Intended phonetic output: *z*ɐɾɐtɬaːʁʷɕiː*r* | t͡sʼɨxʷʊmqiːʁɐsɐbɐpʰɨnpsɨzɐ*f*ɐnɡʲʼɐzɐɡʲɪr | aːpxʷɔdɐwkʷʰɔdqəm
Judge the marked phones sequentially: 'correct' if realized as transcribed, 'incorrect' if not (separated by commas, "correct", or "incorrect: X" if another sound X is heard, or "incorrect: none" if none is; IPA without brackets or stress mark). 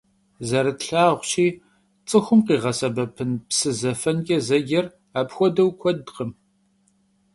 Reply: correct, incorrect: none, correct